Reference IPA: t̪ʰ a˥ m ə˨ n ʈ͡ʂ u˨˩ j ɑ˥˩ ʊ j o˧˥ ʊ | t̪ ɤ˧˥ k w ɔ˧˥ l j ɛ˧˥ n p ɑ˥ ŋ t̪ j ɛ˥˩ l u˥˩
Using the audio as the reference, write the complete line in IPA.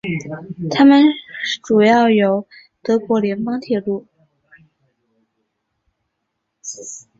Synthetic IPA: t̪ʰ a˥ m ə˨ n ʈ͡ʂ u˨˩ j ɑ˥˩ ʊ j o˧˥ ʊ | t̪ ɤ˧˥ k w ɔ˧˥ l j ɛ˧˥ n p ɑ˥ ŋ t̪ʰ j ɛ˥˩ l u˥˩